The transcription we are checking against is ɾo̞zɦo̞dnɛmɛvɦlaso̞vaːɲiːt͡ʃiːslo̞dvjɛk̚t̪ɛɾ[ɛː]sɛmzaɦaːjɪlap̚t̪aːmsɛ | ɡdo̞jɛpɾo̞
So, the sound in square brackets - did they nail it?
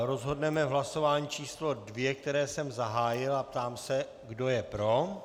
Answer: yes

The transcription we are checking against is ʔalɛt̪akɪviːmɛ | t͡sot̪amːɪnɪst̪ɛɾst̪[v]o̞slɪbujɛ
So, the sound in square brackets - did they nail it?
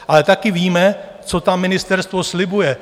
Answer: yes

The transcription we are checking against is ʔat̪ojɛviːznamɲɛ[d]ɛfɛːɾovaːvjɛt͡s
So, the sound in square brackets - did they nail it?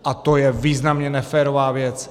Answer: no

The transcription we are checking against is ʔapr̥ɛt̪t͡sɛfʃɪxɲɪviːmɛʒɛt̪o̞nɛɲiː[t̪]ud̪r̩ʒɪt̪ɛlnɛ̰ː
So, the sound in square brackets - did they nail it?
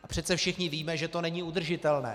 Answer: no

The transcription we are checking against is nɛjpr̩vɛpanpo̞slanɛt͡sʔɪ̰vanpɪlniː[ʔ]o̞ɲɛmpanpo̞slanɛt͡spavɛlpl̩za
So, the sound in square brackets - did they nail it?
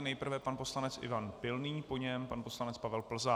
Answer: no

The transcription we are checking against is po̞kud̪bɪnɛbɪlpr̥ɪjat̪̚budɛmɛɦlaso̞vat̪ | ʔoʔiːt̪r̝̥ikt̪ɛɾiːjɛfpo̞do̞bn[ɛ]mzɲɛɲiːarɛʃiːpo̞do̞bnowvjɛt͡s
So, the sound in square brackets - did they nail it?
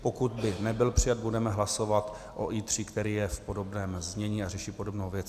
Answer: no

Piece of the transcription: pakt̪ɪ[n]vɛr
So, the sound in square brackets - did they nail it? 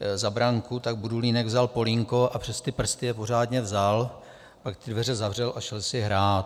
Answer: no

